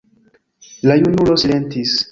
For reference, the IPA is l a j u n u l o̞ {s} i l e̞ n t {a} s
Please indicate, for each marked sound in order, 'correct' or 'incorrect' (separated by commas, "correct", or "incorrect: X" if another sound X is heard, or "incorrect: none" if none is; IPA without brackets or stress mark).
correct, incorrect: i